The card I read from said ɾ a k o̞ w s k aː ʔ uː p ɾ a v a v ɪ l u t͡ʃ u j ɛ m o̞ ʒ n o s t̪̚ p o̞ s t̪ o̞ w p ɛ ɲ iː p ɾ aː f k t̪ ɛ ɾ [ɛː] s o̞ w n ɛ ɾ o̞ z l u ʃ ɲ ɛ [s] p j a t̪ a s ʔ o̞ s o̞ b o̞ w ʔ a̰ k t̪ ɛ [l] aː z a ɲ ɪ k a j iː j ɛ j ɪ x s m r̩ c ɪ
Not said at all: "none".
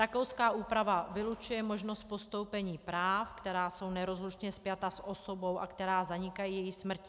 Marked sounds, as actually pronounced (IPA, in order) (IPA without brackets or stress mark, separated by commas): aː, s, ɾ